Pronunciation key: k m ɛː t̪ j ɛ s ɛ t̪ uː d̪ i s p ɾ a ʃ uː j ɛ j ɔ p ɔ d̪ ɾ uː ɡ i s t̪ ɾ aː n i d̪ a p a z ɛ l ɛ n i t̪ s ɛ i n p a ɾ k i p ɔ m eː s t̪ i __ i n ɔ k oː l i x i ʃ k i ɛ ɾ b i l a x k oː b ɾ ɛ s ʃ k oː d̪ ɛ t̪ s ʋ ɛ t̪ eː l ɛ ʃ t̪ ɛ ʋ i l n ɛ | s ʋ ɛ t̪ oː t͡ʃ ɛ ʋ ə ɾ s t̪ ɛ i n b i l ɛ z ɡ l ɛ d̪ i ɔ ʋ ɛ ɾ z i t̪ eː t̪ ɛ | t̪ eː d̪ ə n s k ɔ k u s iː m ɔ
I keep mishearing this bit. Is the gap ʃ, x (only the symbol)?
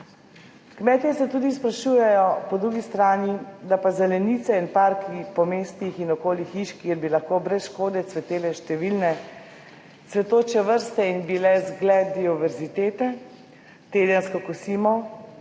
x